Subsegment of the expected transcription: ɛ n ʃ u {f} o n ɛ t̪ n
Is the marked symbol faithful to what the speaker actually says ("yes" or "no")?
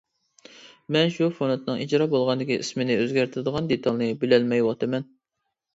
yes